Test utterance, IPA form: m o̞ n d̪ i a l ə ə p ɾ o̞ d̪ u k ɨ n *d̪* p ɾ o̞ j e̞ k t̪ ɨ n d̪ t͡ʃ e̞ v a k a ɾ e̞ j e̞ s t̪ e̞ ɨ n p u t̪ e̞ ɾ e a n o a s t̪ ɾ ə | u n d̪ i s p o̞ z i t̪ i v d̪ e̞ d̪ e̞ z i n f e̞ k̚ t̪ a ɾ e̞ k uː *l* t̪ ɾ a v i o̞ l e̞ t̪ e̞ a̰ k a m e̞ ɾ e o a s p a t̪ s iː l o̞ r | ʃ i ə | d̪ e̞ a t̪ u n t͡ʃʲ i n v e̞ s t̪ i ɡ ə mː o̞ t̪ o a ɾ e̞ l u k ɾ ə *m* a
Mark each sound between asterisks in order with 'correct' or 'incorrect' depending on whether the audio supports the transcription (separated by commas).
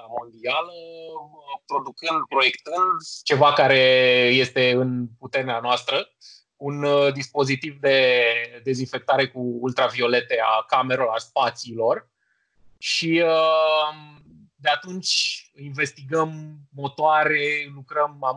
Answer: correct, correct, correct